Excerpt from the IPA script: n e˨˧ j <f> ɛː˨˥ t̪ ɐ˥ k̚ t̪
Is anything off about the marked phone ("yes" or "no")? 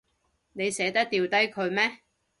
yes